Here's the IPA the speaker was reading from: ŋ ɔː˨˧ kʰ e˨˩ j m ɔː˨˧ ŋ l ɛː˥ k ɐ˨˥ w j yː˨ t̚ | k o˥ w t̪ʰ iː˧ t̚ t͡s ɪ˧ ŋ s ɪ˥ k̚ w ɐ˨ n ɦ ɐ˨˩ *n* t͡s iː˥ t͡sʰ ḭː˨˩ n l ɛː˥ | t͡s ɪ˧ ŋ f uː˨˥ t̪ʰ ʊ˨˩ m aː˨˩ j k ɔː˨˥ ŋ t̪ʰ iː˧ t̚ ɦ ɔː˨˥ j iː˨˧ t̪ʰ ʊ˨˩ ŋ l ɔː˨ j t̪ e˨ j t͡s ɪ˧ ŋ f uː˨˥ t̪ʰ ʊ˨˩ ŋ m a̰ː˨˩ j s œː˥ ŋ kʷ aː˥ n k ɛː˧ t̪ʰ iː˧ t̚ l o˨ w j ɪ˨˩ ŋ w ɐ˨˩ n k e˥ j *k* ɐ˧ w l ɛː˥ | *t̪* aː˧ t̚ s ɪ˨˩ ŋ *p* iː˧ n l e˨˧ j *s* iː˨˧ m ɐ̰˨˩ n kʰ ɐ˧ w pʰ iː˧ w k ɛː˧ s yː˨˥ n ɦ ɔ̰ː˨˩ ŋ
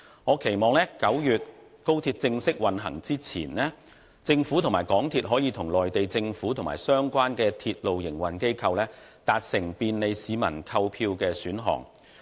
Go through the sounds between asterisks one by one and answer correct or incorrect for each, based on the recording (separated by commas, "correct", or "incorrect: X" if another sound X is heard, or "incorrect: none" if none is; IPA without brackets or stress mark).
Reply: incorrect: ŋ, incorrect: kʰ, correct, correct, correct